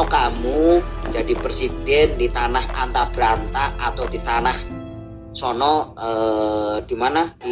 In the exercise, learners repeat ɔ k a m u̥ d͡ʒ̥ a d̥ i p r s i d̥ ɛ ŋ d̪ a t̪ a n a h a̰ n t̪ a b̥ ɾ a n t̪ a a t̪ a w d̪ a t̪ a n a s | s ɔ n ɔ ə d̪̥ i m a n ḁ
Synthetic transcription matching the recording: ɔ k a m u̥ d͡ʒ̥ a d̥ i p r s i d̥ ɛ n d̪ i t̪ a n a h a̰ n t̪ a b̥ ɾ a n t̪ a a t̪ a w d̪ i t̪ a n a h | s ɔ n ɔ ə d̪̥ i m a n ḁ